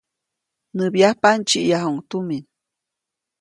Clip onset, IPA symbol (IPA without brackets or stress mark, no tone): n